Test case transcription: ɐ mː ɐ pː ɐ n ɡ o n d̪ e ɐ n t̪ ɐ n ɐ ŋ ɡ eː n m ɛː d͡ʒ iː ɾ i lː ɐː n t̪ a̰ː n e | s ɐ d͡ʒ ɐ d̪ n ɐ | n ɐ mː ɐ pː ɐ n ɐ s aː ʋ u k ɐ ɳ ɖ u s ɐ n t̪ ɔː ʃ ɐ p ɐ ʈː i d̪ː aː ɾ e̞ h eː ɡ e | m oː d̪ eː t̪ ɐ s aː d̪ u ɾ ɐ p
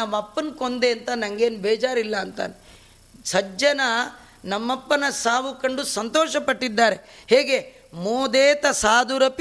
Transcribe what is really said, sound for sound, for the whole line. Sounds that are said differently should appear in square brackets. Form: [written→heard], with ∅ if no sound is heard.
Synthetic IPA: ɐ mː ɐ pː ɐ n [ɡ→k] o n d̪ e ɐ n t̪ ɐ n ɐ ŋ ɡ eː n [m→b] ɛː d͡ʒ [iː→aː] ɾ i lː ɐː n t̪ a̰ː n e | s ɐ d͡ʒ ɐ [d̪→∅] n ɐ | n ɐ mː ɐ pː ɐ n ɐ s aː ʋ u k ɐ ɳ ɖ u s ɐ n t̪ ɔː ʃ ɐ p ɐ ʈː i d̪ː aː ɾ e̞ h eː ɡ e | m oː d̪ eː t̪ ɐ s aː d̪ u ɾ ɐ p